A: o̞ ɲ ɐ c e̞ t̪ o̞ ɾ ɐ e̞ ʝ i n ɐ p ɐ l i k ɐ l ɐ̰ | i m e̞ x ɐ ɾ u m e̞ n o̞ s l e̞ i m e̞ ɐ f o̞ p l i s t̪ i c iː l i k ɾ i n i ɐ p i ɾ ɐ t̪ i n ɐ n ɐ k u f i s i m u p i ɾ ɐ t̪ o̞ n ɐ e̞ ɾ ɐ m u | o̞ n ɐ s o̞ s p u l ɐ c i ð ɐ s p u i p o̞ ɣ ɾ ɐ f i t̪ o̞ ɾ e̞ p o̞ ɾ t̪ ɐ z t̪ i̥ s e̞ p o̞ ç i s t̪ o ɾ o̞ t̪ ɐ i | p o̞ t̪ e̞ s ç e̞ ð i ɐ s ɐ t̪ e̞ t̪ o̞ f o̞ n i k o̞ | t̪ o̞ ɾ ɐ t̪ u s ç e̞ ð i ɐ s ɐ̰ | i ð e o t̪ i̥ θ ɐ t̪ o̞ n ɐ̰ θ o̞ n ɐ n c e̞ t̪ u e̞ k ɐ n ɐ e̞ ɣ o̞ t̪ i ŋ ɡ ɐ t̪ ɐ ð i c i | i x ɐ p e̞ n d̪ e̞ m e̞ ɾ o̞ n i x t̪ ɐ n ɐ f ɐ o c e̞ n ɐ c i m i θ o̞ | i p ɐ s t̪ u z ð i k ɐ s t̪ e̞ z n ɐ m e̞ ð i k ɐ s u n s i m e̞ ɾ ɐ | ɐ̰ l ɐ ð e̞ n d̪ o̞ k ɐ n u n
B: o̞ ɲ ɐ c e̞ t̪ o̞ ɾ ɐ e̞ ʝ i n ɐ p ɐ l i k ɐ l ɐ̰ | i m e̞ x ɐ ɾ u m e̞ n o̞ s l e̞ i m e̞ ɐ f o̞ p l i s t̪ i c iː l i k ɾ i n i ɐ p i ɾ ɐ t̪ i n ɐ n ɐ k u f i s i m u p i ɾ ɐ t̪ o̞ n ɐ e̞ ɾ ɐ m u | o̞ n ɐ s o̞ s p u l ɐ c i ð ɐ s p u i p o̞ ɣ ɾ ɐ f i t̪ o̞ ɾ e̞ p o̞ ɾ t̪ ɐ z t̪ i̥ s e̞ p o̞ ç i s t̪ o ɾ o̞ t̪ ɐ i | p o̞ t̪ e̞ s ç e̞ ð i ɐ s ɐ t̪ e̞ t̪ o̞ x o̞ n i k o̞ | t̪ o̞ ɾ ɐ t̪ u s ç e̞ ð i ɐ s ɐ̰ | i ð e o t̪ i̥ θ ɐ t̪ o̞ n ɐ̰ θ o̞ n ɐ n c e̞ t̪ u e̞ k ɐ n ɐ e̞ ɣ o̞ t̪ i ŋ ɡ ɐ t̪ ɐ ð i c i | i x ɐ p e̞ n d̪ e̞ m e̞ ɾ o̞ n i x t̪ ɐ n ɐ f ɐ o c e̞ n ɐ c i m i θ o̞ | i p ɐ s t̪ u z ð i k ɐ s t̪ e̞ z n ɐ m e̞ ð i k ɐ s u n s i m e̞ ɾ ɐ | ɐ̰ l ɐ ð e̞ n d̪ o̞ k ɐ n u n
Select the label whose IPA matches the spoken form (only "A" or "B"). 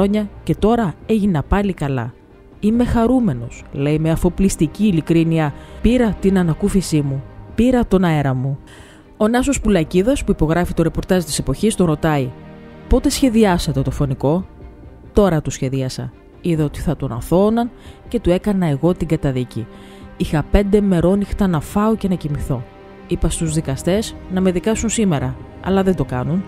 A